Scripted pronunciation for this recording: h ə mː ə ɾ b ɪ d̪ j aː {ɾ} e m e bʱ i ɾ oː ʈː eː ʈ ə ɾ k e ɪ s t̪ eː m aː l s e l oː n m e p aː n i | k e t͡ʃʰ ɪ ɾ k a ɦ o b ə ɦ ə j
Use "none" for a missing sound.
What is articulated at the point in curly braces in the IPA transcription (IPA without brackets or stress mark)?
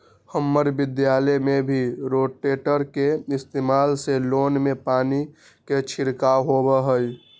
l